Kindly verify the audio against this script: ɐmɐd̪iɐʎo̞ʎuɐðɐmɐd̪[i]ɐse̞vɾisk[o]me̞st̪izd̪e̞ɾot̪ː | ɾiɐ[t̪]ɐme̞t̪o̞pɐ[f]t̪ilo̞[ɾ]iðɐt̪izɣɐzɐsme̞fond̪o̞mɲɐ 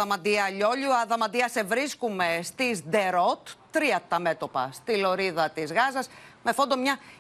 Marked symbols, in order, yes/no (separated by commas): yes, no, yes, no, yes